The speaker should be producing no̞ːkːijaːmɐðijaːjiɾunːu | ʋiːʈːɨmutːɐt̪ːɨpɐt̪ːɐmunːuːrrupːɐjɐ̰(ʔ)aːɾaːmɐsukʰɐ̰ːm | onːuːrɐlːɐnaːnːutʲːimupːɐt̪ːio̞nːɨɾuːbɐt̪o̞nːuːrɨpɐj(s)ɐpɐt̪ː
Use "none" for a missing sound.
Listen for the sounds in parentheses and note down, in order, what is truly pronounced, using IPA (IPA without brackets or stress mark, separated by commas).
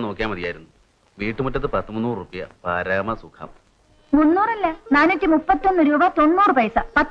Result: p, s